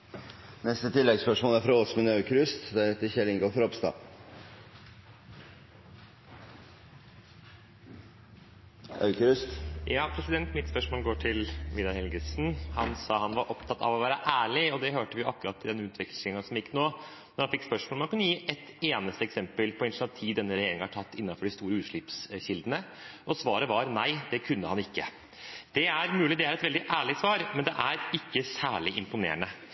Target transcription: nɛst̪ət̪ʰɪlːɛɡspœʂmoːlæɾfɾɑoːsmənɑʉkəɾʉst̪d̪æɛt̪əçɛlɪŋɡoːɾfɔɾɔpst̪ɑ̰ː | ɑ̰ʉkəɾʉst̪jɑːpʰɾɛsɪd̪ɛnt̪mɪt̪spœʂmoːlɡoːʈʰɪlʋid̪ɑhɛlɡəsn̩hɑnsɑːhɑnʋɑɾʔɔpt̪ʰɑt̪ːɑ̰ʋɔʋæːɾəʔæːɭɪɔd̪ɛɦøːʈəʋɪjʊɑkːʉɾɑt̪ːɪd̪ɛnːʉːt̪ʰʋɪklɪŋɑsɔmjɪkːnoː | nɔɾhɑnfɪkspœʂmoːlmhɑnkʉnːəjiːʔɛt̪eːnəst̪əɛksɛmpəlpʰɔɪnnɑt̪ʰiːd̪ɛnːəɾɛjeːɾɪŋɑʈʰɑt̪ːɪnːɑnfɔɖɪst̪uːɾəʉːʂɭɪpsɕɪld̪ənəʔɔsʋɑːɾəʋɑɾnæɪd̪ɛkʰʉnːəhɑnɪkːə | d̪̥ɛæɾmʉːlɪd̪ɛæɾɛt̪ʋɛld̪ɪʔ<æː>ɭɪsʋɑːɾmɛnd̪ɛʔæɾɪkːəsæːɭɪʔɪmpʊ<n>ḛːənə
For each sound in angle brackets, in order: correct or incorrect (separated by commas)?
correct, correct